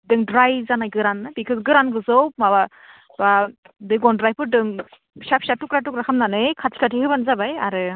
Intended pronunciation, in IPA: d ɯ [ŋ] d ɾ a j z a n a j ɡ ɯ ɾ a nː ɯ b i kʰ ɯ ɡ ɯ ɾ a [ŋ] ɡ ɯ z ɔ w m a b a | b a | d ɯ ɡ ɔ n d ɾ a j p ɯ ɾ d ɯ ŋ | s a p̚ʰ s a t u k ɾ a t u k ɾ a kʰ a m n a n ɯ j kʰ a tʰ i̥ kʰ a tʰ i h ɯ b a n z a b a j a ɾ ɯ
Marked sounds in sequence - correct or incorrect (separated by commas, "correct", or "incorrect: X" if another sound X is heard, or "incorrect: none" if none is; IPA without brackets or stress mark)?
correct, incorrect: n